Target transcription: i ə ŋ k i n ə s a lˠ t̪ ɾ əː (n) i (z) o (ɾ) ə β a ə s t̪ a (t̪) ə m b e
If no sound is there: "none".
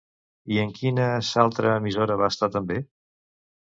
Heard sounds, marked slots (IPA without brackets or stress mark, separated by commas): m, z, ɾ, t̪